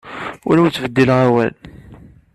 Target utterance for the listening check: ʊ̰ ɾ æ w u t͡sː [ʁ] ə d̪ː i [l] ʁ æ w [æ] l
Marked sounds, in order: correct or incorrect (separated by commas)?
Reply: incorrect, correct, correct